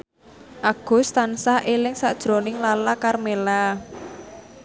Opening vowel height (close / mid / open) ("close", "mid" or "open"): open